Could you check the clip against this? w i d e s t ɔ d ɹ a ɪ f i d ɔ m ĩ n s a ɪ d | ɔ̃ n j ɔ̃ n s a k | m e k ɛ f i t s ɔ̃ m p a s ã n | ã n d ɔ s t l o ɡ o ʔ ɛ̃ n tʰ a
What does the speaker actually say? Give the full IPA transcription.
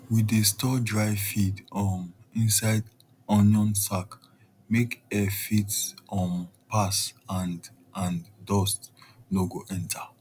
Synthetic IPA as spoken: w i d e s t ɔ d ɹ a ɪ f i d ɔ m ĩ n s a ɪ d | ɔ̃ n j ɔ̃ n s a k | m e k ɛ f i t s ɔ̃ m p a s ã n | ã n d ɔ s t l o ɡ o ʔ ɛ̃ n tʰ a

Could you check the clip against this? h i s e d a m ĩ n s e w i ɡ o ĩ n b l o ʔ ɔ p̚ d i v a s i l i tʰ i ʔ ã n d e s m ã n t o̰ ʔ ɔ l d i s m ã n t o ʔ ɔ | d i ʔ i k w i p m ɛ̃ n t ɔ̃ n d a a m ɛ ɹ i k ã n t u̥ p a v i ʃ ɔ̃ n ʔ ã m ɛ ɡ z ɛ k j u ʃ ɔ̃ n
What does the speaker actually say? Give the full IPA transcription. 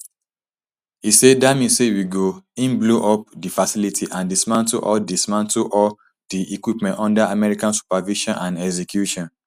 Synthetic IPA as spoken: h i s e d a m ĩ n s e w i ɡ o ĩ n b l o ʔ ɔ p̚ d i f a s i l i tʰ i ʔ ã n d i s m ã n t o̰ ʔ ɔ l d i s m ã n t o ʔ ɔ | d i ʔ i k w i p m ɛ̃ n t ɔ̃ n d a a m ɛ ɹ i k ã n s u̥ p a v i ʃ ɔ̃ n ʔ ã n ɛ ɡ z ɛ k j u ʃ ɔ̃ n

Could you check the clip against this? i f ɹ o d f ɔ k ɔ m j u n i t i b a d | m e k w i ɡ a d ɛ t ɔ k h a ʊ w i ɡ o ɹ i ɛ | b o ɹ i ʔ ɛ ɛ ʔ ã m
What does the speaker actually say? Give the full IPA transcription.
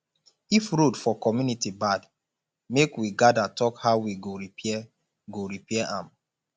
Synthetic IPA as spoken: i f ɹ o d f ɔ k ɔ m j u n i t i b a d | m e k w i ɡ a d a t ɔ k h a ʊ w i ɡ o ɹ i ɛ | ɡ o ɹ i p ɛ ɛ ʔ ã m

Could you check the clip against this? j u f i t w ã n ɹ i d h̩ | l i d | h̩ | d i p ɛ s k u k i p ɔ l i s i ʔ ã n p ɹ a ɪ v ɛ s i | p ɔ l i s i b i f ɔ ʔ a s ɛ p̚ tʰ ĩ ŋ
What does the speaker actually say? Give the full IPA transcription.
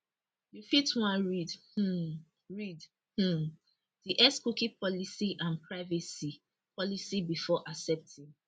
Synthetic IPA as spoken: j u f i t w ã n ɹ i d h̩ | ɹ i d | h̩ | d i ʔ ɛ s k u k i p ɔ l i s i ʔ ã n p ɹ a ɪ v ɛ s i | p ɔ l i s i b i f ɔ ʔ a s ɛ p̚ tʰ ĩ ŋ

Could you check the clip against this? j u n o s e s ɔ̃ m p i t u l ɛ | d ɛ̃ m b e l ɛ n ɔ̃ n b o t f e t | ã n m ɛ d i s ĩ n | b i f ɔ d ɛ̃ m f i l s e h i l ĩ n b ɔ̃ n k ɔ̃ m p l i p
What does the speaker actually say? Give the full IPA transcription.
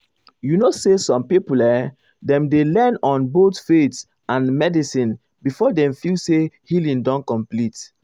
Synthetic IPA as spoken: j u n o s e s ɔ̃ m p i p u l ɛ | d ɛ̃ m d e l ɛ n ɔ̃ n b o t f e t | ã n m ɛ d i s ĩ n | b i f ɔ d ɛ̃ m f i l s e h i l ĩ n d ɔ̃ n k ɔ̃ m p l i t

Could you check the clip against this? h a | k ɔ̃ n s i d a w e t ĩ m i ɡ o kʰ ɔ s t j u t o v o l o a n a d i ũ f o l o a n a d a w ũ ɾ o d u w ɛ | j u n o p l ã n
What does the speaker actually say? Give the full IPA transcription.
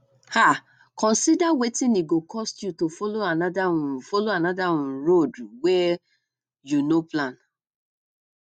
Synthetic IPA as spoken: h a | k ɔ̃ n s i d a w e t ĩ n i ɡ o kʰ ɔ s t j u t o f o l o a n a d a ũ f o l o a n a d a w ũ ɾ o d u w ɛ | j u n o p l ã n

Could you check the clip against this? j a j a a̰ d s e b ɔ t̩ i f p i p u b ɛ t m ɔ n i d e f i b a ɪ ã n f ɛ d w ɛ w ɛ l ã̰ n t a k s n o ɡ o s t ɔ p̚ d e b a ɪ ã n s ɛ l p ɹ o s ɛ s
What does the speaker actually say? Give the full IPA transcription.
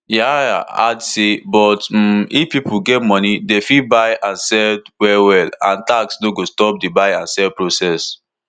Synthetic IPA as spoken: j a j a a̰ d s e b ɔ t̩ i f p i p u ɡ ɛ t m ɔ n i d e f i b a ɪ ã n s ɛ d w ɛ w ɛ l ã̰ n t a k s n o ɡ o s t ɔ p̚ d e b a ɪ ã n s ɛ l p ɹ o s ɛ s

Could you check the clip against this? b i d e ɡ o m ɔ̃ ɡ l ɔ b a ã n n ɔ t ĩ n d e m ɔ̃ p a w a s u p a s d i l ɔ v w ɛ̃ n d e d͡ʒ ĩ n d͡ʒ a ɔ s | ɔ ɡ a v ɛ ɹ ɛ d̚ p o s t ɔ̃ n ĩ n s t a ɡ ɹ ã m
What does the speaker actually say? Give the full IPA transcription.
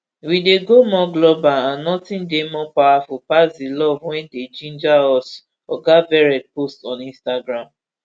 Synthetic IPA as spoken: w i d e ɡ o m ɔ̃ ɡ l ɔ b a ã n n ɔ t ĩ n d e m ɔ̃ p a w a f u p a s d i l ɔ v w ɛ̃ n d e d͡ʒ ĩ n d͡ʒ a ɔ s | ɔ ɡ a v ɛ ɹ ɛ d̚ p o s t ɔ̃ n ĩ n s t a ɡ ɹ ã m

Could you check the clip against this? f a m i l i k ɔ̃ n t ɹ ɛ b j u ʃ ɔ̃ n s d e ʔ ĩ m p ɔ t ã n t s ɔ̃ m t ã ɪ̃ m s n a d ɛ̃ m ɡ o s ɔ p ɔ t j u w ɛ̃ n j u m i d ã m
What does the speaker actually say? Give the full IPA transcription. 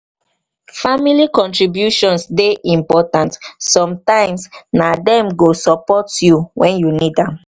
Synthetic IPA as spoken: f a m i l i k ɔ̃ n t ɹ i b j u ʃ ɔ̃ n s d e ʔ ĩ m p ɔ t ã n t s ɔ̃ m t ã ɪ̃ m s n a d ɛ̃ m ɡ o s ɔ p ɔ t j u w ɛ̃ n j u n i d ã m

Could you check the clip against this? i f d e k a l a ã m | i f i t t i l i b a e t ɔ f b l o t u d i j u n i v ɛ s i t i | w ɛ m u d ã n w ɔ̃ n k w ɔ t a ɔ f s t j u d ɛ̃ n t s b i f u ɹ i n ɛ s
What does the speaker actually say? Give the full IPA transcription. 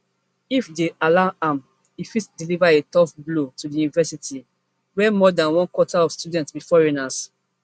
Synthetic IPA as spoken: i f d e a l a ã m | i f i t d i l i v a e t ɔ f b l o t u d i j u n i v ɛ s i t i | w ɛ m ɔ d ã n w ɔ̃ n k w ɔ t a ɔ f s t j u d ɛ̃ n t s b i f ɔ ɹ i n a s

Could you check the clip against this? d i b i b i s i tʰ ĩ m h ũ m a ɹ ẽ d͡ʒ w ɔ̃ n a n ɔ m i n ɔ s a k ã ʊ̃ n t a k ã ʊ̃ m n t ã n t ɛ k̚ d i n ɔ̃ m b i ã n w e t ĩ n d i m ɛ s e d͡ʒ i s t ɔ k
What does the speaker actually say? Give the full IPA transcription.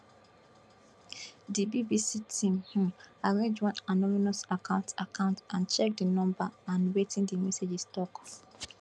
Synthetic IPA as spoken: d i b i b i s i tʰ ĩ m h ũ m a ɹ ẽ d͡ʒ w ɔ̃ n a n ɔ m i n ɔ s a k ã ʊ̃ n t a k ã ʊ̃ n t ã n t͡ʃ ɛ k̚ d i n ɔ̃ m b a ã n w e t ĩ n d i m ɛ s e d͡ʒ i s t ɔ k

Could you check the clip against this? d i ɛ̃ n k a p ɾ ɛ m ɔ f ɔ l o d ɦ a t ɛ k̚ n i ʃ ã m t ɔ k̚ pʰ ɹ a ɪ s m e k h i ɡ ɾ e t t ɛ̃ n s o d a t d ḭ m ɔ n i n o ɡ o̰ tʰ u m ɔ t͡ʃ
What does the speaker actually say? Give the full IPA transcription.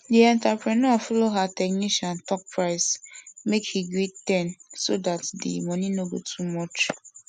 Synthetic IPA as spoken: d i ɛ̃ n t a p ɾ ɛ n ɔ f ɔ l o ɦ a t ɛ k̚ n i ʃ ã n t ɔ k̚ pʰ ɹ a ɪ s m e k h i ɡ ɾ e t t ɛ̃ n s o d a t d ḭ m ɔ n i n o ɡ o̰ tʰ u m ɔ t͡ʃ

